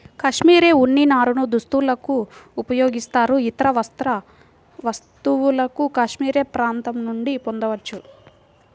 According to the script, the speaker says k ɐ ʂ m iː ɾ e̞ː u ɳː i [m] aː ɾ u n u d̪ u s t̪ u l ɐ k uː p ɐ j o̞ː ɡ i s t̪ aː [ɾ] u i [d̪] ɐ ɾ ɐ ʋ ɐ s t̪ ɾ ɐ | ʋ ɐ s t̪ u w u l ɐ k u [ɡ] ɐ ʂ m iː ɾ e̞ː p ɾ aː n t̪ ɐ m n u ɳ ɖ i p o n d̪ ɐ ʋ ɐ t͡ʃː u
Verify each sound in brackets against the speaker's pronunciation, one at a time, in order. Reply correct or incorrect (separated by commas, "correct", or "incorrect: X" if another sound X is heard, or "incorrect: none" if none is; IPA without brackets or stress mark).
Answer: incorrect: n, correct, incorrect: t̪, incorrect: k